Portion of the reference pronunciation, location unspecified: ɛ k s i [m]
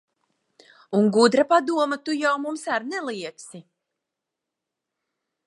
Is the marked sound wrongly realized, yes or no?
yes